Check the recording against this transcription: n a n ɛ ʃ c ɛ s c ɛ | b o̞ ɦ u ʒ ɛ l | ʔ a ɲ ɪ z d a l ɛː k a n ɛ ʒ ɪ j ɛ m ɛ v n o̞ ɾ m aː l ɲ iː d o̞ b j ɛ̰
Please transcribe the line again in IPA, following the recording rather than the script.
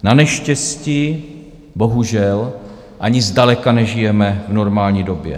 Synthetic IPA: n a n ɛ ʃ c ɛ s c i | b o̞ ɦ u ʒ ɛ l | ʔ a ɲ ɪ z d a l ɛ k a n ɛ ʒ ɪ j ɛ m ɛ v n o̞ ɾ m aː l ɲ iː d o̞ b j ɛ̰